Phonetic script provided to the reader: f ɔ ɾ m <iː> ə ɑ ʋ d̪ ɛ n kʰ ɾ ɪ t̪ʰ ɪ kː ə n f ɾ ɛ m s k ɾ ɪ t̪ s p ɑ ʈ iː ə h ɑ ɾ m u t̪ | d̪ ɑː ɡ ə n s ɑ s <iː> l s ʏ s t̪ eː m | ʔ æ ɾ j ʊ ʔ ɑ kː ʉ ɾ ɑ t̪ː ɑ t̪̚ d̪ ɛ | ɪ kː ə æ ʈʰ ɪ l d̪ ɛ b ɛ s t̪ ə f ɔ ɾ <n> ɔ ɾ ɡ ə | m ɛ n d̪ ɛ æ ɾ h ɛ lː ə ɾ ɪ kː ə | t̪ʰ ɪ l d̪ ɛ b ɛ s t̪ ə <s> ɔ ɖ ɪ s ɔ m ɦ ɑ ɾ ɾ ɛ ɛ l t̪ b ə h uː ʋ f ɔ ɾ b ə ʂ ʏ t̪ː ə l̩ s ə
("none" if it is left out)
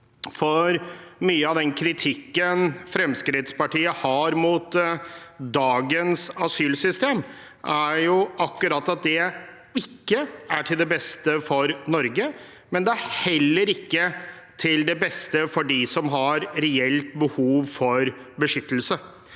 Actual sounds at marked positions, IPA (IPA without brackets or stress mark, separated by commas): yː, yː, n, f